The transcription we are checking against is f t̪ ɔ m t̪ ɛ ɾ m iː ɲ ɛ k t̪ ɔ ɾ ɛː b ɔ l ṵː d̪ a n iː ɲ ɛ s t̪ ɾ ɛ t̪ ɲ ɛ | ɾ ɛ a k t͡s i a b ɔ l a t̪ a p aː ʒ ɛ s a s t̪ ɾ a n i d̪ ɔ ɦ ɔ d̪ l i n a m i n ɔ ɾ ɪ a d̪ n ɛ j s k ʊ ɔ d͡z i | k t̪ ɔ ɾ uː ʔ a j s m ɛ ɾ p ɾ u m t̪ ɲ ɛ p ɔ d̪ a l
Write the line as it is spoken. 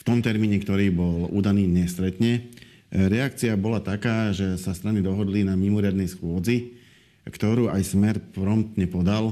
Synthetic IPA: f t̪ ɔ m t̪ ɛ ɾ m iː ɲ ɛ k t̪ ɔ ɾ iː b ɔ l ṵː d̪ a n iː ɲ ɛ s t̪ ɾ ɛ t̪ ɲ ɛ | ɾ ɛ a k t͡s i a b ɔ l a t̪ a k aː ʒ ɛ s a s t̪ ɾ a n i d̪ ɔ ɦ ɔ d̪ l i n a m i m ɔ ɾ ɪ a d̪ n ɛ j s x ʊ ɔ d͡z i | k t̪ ɔ ɾ uː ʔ a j s m ɛ ɾ p ɾ ɔ m t̪ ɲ ɛ p ɔ d̪ a l